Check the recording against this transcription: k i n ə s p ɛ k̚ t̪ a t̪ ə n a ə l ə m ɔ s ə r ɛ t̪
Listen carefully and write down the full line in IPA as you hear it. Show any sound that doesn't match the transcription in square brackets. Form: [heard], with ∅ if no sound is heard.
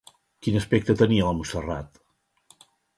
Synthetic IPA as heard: k i n ə s p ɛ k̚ t̪ [ə] t̪ ə n [i] ə l ə m [u] s ə r [a] t̪